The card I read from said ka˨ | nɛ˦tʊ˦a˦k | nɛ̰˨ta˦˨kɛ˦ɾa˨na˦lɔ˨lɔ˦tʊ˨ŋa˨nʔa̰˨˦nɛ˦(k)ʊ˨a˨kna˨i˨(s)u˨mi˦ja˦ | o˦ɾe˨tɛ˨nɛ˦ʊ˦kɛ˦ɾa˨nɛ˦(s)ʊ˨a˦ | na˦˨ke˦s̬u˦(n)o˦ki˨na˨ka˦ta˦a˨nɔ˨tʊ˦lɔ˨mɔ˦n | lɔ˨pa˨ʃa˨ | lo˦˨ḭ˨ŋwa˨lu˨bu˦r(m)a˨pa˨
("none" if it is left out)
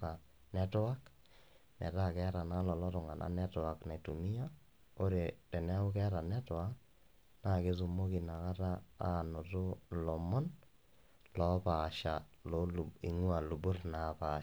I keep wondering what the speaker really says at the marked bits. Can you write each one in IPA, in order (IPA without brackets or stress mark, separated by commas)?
t, t, t, m, n